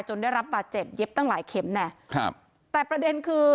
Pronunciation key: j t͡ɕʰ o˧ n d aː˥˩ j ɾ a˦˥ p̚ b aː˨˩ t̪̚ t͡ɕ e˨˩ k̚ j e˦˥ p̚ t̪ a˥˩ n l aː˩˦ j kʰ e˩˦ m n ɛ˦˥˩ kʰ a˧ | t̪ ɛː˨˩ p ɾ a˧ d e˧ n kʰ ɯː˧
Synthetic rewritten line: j t͡ɕ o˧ n d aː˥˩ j ɾ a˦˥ p̚ b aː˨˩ t̪̚ t͡ɕ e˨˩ p̚ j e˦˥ p̚ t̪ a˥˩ ŋ l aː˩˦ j kʰ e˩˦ m n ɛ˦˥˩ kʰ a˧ | t̪ ɛː˨˩ p ɾ a˧ d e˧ n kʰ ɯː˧